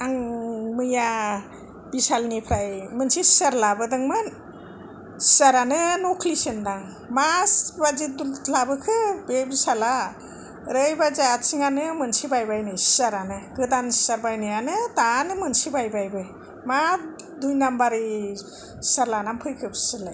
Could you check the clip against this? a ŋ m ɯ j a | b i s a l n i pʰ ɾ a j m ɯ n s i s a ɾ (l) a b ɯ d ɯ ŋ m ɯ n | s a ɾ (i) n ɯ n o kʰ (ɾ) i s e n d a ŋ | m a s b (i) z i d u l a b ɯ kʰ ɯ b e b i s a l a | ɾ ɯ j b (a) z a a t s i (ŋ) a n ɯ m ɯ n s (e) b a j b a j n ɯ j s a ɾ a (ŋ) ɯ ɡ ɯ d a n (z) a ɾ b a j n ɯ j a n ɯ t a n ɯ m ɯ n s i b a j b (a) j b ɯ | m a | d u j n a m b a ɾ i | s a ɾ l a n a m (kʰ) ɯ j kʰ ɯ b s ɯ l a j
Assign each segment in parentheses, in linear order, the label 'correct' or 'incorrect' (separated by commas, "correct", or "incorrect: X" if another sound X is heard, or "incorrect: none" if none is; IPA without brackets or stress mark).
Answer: correct, incorrect: a, incorrect: l, incorrect: a, correct, correct, incorrect: i, incorrect: n, incorrect: s, correct, incorrect: pʰ